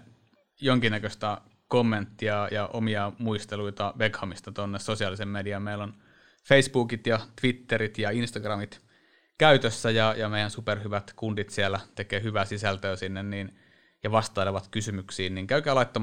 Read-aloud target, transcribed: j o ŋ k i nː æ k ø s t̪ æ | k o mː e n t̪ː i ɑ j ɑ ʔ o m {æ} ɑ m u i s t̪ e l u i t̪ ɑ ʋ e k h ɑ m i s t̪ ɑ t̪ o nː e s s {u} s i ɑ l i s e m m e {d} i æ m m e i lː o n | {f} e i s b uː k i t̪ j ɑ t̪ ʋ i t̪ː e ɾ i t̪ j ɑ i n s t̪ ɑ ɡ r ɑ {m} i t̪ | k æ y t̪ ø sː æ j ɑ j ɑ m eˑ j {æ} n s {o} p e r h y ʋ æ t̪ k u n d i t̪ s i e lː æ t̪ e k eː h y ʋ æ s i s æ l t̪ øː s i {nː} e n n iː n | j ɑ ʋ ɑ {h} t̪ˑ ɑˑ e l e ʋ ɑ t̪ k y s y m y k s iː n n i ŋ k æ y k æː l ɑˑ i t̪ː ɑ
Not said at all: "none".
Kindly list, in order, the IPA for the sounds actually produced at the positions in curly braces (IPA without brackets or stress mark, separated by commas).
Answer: i, o, d, f, m, æ, u, nː, s